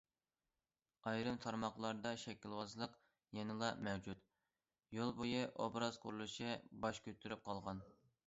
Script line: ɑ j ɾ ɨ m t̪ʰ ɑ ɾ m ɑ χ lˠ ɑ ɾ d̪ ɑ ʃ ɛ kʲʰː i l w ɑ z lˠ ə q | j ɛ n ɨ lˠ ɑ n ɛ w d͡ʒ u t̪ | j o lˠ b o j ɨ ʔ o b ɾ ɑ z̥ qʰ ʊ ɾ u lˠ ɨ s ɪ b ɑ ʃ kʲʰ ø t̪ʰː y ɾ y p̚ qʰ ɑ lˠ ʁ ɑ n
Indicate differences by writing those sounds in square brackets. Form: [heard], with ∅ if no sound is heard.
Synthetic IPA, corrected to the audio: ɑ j ɾ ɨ m t̪ʰ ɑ ɾ m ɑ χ lˠ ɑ ɾ d̪ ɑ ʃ ɛ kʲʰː i l w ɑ z lˠ ə q | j ɛ n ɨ lˠ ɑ [m] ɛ w d͡ʒ u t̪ | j o lˠ b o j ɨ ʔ o b ɾ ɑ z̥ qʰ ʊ ɾ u lˠ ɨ [ʃ] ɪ b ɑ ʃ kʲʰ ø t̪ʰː y ɾ y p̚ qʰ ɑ lˠ ʁ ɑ n

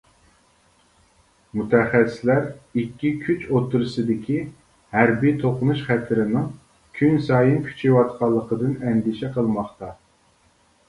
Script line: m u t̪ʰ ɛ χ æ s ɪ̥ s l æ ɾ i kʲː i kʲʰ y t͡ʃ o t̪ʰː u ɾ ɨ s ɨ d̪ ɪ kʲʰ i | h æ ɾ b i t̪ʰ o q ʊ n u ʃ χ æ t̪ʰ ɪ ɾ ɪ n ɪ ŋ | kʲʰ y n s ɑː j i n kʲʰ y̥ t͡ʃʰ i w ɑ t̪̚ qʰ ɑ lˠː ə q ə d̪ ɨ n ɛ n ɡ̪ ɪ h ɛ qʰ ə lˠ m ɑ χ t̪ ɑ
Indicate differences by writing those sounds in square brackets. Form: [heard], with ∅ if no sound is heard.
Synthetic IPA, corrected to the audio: m u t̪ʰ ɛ χ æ s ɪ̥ s l æ ɾ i kʲː i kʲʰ y t͡ʃ o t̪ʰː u ɾ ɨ s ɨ d̪ ɪ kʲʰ i | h æ ɾ b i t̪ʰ o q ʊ n u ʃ χ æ t̪ʰ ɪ ɾ ɪ n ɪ ŋ | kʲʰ y n s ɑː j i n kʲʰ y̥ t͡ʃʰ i w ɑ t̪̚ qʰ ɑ lˠː ə q ə d̪ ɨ n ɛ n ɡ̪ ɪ [ʃ] ɛ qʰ ə lˠ m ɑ χ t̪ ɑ

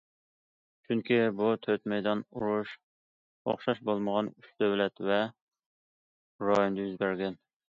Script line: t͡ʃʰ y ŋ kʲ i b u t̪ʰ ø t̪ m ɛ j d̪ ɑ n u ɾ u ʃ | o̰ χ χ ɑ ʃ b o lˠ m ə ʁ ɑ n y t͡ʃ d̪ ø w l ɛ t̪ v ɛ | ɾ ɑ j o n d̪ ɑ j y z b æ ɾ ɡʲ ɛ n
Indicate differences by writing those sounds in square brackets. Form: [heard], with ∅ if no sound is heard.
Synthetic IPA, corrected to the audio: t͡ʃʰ y ŋ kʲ i b u t̪ʰ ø t̪ m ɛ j d̪ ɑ n u ɾ u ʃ | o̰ χ [ʃ] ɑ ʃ b o lˠ m ə ʁ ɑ n y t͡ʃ d̪ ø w l ɛ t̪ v ɛ | ɾ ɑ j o n d̪ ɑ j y z b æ ɾ ɡʲ ɛ n

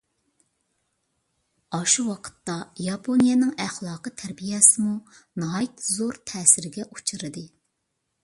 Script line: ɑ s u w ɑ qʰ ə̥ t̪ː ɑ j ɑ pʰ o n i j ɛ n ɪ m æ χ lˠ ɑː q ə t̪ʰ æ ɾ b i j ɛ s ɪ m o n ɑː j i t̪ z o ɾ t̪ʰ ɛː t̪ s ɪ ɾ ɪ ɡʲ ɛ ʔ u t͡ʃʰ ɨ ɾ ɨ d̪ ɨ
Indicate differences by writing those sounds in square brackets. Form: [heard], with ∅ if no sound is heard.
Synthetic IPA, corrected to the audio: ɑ [ʃ] u w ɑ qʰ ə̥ t̪ː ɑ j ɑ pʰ o n i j ɛ n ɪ [ŋ] æ χ lˠ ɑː q ə t̪ʰ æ ɾ b i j ɛ s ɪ m [u] n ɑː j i t̪ z o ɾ t̪ʰ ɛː [∅] s ɪ ɾ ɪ ɡʲ ɛ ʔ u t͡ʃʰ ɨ ɾ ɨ d̪ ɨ

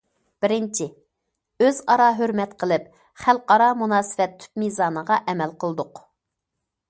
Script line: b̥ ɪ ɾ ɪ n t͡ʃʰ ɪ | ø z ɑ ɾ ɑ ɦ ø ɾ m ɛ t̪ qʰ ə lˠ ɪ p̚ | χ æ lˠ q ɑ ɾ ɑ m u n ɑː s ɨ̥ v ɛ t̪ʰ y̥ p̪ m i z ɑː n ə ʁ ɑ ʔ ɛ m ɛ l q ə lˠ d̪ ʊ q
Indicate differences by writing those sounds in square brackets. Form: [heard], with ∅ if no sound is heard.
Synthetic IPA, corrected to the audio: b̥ ɪ ɾ ɪ n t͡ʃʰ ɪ | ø z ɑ ɾ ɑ ɦ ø ɾ m ɛ t̪ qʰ ə lˠ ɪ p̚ | χ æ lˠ q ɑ ɾ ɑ m u n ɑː s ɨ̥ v ɛ t̪ʰ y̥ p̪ m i z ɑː n ə ʁ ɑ ʔ ɛ m ɛ l q ə lˠ d̪ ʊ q

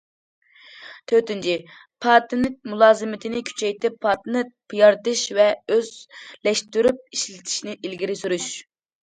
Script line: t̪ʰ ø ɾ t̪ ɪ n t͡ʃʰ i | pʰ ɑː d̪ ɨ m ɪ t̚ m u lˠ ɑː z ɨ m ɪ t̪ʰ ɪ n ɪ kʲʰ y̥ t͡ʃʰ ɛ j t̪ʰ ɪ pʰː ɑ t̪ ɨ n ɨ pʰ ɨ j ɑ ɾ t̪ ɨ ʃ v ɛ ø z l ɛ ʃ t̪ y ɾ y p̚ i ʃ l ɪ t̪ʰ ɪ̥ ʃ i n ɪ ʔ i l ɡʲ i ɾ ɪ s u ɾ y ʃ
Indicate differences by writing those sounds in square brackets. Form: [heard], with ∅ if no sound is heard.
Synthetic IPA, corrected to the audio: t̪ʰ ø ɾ t̪ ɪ n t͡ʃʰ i | pʰ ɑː [t̪] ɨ [n] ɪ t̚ m u lˠ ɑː z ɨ m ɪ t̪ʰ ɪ n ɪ kʲʰ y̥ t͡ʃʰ ɛ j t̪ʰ ɪ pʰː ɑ t̪ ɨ n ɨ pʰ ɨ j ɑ ɾ t̪ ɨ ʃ v ɛ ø z l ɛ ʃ t̪ y ɾ y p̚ i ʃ l ɪ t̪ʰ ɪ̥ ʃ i n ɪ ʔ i l ɡʲ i ɾ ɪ s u ɾ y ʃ

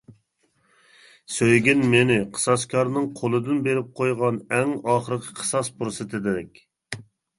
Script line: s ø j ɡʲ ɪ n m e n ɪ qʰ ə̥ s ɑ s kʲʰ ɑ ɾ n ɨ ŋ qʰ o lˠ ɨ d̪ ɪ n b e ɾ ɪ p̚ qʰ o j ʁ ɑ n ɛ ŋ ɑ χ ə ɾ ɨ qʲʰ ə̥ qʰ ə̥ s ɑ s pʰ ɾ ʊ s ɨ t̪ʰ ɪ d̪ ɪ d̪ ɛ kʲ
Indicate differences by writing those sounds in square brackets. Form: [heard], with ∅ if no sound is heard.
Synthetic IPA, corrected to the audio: s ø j ɡʲ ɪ n m e n ɪ qʰ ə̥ s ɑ s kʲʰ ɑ ɾ n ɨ ŋ qʰ o lˠ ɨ d̪ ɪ n b e ɾ ɪ p̚ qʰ o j ʁ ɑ n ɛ ŋ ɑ χ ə ɾ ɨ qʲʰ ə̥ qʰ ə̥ s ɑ s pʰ ɾ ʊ s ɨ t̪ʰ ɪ d̪ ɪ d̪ ɛ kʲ

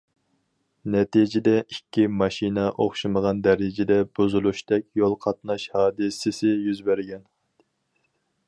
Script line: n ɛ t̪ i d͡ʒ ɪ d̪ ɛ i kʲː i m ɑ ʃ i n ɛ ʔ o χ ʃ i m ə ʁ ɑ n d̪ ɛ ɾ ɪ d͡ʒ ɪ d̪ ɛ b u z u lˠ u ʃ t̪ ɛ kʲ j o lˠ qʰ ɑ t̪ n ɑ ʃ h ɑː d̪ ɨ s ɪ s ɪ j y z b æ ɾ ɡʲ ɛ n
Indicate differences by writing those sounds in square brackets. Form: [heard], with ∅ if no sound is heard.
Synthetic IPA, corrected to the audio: n ɛ t̪ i d͡ʒ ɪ d̪ ɛ i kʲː i m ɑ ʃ i n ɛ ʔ o χ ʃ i m ə ʁ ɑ n d̪ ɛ ɾ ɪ d͡ʒ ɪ d̪ ɛ b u z u lˠ u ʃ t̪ ɛ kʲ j o lˠ qʰ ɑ t̪ n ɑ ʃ h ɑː d̪ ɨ s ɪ s ɪ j y z b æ ɾ ɡʲ ɛ n

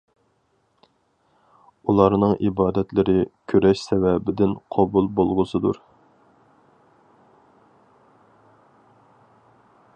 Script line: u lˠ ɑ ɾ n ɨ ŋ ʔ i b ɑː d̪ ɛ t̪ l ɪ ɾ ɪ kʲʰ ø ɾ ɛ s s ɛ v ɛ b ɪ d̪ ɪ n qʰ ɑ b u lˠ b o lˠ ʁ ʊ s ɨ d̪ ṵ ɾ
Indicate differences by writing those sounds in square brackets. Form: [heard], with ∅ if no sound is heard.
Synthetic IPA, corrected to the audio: u lˠ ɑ ɾ n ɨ ŋ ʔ i b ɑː d̪ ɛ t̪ l ɪ ɾ ɪ kʲʰ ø ɾ ɛ [ʃ] s ɛ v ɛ b ɪ d̪ ɪ n qʰ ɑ b u lˠ b o lˠ ʁ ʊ s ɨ d̪ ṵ ɾ

